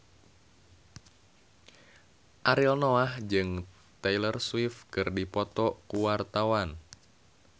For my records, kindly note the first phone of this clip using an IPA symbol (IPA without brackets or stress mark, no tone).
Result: ʔ